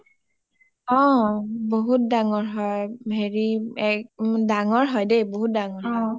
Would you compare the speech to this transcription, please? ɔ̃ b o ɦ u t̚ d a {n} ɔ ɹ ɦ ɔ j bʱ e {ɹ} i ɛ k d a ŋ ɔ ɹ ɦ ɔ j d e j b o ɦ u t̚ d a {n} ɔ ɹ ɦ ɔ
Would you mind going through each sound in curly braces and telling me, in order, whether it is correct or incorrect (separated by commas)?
incorrect, correct, incorrect